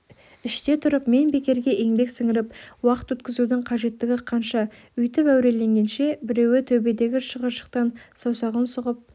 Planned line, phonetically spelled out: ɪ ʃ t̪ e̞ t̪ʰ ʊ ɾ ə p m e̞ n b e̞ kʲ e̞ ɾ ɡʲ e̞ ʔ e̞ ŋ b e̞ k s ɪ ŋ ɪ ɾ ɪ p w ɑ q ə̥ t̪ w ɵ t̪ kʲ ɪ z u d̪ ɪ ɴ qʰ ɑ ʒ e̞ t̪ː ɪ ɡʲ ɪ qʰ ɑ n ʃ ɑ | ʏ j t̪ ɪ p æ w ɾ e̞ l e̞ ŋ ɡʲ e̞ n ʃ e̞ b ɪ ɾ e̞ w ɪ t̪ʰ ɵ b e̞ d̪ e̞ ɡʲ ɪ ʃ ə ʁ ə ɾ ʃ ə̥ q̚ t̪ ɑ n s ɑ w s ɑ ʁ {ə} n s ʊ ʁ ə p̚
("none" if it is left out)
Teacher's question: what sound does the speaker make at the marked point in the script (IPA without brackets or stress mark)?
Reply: ə